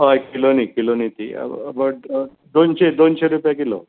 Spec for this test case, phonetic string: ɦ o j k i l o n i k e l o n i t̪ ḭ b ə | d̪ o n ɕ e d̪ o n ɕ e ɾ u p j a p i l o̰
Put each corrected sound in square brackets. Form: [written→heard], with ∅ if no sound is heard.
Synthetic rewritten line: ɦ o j k i l o n i k [e→i] l o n i t̪ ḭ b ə | d̪ o n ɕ e d̪ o n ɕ e ɾ u p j a [p→k] i l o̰